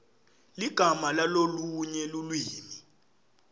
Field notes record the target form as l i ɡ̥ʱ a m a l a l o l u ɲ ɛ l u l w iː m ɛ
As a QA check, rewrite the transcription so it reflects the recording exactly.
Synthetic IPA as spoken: l i ɡ̥ʱ a m a l a l o l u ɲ ɛ l u l w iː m i